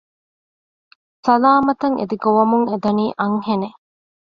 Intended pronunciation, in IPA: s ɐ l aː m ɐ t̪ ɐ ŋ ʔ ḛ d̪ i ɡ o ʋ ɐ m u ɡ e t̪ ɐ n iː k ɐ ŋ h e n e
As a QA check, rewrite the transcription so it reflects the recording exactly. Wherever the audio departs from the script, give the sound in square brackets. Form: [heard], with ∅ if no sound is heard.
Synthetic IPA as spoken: s ɐ l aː m ɐ t̪ ɐ ŋ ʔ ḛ d̪ i ɡ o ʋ ɐ m u [ŋ] e [d̪] ɐ n iː [ʔ] ɐ ŋ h e n e